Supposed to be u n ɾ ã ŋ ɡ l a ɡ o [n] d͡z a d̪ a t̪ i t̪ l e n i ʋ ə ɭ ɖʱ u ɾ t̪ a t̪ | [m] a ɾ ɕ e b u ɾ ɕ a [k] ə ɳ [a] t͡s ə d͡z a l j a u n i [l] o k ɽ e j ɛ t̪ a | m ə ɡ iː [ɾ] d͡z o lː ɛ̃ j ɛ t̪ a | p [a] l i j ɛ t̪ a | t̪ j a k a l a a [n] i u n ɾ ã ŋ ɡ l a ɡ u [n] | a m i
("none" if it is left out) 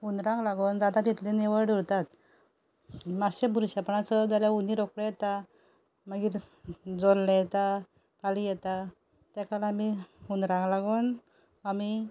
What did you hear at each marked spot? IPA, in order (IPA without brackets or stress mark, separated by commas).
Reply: n, m, p, a, ɾ, ɾ, a, m, n